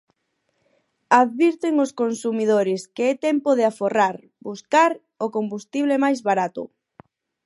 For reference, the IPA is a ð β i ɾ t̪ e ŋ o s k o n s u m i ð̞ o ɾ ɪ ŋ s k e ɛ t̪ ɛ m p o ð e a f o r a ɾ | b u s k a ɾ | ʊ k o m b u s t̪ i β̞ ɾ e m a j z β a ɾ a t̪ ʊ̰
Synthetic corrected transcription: a ð β i ɾ t̪ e ŋ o s k o n s u m i ð̞ o ɾ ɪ s k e ɛ t̪ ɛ m p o ð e a f o r a ɾ | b u s k a ɾ | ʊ k o m b u s t̪ i β̞ l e m a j z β a ɾ a t̪ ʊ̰